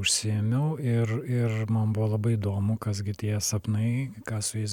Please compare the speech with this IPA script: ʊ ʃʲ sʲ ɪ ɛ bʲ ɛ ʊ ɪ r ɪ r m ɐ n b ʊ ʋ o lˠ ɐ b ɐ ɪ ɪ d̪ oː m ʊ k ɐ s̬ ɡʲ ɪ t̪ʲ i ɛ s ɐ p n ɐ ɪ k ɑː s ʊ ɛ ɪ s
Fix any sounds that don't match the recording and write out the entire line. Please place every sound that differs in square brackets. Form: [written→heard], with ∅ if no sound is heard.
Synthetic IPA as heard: ʊ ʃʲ sʲ ɪ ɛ [bʲ→mʲ] ɛ ʊ ɪ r ɪ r m ɐ n b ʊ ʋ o lˠ ɐ b ɐ ɪ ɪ d̪ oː m ʊ k ɐ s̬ ɡʲ ɪ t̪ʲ i ɛ s ɐ p n ɐ ɪ k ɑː s ʊ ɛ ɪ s